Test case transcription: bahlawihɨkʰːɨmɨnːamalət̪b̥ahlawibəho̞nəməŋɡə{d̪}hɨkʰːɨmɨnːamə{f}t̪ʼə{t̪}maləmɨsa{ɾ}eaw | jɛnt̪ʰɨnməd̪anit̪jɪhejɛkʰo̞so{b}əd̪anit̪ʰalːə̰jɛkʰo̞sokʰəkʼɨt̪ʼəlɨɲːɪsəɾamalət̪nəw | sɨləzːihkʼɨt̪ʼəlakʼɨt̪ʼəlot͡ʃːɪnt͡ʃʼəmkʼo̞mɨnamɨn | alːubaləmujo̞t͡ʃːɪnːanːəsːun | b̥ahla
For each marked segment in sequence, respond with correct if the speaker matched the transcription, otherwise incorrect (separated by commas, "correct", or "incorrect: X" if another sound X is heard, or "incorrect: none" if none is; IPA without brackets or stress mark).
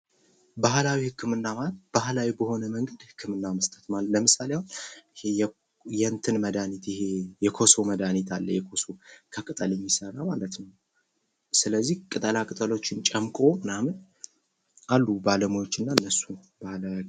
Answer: correct, incorrect: s, correct, incorrect: l, incorrect: m